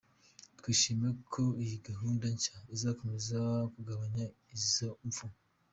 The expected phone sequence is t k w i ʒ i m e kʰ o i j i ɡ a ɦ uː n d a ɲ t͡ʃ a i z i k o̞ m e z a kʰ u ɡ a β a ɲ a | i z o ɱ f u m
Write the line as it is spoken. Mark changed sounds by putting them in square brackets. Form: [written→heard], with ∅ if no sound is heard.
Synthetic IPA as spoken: t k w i [ʒ→ʃ] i m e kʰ o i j i ɡ a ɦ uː n d a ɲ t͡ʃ a i z [i→a] k o̞ m e z a [kʰ→k] u ɡ a β a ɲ a | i z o ɱ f u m